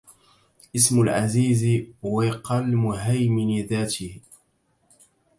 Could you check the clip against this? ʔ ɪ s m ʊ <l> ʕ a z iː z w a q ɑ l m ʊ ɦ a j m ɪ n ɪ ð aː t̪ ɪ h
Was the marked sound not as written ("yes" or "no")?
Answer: no